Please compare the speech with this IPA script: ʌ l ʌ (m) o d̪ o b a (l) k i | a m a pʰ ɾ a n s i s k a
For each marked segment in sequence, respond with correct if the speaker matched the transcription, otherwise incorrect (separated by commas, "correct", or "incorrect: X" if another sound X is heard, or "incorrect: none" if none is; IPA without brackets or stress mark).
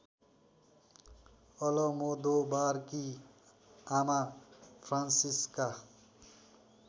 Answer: correct, incorrect: ɾ